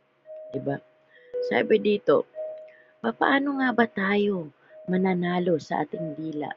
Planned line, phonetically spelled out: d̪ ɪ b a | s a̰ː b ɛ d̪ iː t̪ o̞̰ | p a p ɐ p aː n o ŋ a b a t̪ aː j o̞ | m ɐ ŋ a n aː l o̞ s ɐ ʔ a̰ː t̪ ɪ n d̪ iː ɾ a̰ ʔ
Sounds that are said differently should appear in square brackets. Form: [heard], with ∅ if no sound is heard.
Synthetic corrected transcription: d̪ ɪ b a | s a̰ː b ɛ d̪ iː t̪ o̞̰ | p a p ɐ [ʔ] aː n o ŋ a b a t̪ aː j o̞ | m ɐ [n] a n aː l o̞ s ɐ ʔ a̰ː t̪ ɪ [ŋ] d̪ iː [l] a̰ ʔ